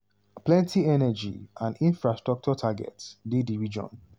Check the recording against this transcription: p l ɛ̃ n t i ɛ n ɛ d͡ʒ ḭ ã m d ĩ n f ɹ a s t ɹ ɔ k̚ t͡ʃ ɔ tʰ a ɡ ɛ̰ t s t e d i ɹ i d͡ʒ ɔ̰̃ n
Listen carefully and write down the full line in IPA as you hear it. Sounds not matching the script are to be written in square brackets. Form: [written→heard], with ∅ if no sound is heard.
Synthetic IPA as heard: p l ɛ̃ n t i ɛ n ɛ d͡ʒ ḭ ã [m→n] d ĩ n f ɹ a s t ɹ ɔ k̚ t͡ʃ ɔ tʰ a ɡ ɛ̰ t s [t→d] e d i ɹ i d͡ʒ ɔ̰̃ n